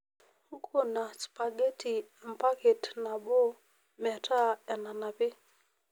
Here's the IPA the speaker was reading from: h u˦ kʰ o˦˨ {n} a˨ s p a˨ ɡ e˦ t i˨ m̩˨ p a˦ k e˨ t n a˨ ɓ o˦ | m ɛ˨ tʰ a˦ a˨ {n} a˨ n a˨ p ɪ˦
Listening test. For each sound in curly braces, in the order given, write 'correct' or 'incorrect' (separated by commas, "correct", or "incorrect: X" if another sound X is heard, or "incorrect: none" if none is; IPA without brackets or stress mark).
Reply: correct, correct